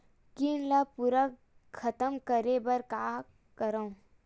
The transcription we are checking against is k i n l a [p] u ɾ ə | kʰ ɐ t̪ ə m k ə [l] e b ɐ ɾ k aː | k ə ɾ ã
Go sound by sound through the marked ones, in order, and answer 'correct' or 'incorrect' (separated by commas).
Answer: correct, incorrect